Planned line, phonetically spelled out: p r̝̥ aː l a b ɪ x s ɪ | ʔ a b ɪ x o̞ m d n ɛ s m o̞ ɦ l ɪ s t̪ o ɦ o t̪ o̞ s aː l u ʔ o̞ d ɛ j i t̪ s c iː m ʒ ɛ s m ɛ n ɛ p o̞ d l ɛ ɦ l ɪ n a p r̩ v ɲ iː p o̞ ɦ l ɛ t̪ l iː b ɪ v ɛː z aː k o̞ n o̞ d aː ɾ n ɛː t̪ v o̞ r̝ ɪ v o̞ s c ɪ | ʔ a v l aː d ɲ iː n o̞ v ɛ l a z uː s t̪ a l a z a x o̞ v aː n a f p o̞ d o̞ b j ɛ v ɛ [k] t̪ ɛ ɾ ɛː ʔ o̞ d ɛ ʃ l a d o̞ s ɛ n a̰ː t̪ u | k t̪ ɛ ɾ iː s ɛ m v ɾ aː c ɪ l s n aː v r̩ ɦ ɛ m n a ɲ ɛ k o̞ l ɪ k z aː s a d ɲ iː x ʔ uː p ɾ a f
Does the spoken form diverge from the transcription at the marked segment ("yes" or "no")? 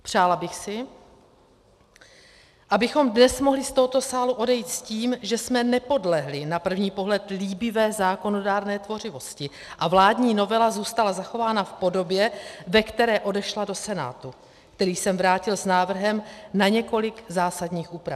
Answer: no